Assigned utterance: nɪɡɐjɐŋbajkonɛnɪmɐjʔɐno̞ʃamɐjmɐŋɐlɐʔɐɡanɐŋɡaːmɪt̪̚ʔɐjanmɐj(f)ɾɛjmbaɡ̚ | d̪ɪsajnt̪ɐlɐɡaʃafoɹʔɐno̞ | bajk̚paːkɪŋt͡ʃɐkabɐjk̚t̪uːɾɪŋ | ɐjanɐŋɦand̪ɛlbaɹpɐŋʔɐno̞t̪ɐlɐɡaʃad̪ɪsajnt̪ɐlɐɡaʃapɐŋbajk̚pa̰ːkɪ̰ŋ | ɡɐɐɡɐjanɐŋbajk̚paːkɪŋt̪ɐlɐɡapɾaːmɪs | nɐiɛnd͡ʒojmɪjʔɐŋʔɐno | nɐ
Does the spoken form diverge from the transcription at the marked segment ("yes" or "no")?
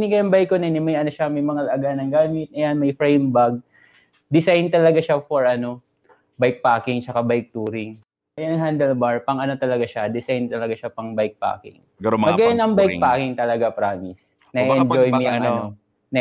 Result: no